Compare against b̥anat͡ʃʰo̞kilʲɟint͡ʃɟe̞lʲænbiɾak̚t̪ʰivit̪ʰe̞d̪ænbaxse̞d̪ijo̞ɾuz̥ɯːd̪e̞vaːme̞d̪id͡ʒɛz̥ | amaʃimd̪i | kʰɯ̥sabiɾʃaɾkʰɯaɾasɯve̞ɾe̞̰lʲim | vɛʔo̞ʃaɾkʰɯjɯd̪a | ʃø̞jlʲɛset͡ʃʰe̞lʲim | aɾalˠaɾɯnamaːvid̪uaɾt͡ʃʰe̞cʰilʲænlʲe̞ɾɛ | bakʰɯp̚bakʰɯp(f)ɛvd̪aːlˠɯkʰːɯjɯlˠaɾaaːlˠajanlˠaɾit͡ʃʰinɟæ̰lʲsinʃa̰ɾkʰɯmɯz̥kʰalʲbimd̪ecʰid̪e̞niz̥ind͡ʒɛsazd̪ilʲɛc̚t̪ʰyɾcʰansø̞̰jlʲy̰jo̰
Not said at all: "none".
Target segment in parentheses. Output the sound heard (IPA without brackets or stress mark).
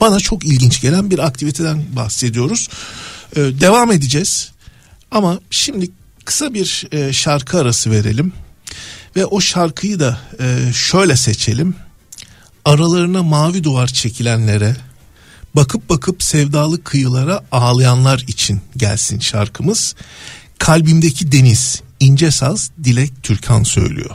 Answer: s